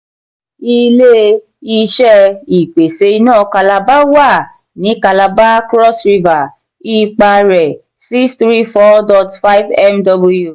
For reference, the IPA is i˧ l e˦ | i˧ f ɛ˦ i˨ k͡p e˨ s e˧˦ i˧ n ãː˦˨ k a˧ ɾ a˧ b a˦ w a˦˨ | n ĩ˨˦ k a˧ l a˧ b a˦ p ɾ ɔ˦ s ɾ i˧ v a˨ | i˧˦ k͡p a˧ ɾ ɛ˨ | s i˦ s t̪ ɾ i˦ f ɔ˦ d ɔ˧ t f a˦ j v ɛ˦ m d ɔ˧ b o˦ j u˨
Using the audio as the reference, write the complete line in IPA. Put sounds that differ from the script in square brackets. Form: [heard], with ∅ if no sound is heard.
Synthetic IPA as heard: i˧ l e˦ | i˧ [ʃ] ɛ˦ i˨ k͡p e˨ s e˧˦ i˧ n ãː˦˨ k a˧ [l] a˧ b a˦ w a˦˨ | n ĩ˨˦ k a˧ l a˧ b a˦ [k] ɾ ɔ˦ s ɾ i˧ v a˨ | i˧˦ k͡p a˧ ɾ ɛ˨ | s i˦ s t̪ ɾ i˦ f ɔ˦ d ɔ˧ t f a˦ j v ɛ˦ m d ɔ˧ b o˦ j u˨